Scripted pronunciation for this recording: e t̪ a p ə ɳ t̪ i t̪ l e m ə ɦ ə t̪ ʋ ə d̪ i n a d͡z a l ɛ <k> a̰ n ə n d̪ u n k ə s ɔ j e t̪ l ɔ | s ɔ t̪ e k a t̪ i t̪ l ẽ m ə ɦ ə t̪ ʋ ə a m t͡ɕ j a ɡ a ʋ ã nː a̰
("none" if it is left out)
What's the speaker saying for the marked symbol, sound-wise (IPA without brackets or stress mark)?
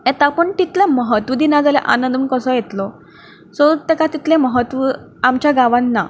ʔ